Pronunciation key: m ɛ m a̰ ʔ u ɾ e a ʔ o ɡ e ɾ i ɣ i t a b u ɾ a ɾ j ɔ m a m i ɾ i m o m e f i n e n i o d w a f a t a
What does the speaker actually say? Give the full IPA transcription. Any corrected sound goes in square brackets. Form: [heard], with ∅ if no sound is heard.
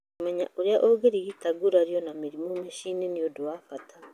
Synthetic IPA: m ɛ [ɲ] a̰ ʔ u ɾ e a ʔ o ɡ e ɾ i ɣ i t a [ɡ] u ɾ a ɾ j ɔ [n] a m i ɾ i m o m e [ʃ] i n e n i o d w a f a t a